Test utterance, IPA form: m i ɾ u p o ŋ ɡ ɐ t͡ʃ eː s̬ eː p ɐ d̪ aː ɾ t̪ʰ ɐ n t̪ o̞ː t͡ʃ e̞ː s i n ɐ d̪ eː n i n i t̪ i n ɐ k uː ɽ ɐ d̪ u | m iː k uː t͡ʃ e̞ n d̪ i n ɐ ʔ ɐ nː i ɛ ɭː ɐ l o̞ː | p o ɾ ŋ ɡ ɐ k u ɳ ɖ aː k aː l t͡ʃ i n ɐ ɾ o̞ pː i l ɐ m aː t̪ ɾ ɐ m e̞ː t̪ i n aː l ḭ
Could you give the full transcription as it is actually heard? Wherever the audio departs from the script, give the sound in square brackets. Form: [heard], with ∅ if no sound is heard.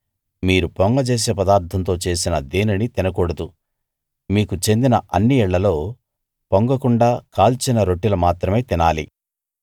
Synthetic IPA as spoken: m [iː] ɾ u p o ŋ ɡ ɐ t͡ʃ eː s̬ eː p ɐ d̪ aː ɾ t̪ʰ ɐ n t̪ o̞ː t͡ʃ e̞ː s i n ɐ d̪ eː n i n i t̪ i n ɐ k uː ɽ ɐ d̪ u | m iː k [u] t͡ʃ e̞ n d̪ i n ɐ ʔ ɐ nː i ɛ ɭː ɐ l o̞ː | p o [∅] ŋ ɡ ɐ k u ɳ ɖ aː k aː l t͡ʃ i n ɐ ɾ o̞ [ʈː] i l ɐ m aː t̪ ɾ ɐ m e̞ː t̪ i n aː l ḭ